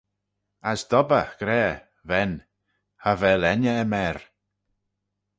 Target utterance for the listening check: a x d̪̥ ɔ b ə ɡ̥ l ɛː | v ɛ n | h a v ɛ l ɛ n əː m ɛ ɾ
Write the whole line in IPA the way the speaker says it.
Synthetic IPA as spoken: a s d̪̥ ɔ b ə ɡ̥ ɾ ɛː | v ɛ n | h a v ɛ l ɛ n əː m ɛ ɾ